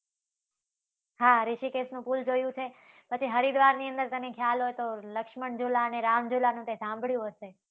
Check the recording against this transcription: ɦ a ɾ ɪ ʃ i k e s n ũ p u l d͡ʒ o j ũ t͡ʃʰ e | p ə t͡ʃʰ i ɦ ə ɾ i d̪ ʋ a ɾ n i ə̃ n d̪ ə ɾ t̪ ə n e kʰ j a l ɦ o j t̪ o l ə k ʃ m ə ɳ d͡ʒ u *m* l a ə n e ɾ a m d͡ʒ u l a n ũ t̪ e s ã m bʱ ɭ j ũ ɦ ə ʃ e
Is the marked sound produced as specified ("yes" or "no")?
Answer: no